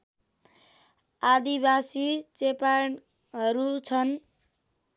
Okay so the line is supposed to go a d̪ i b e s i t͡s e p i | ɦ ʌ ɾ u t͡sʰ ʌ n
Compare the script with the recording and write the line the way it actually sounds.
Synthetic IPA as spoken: a d̪ i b a s i t͡s e p a | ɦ ʌ ɾ u t͡sʰ ʌ n